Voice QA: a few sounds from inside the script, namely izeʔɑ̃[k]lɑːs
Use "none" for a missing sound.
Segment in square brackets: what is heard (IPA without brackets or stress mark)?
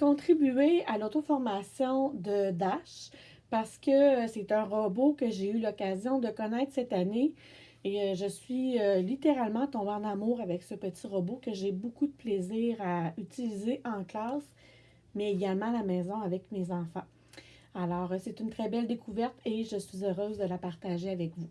k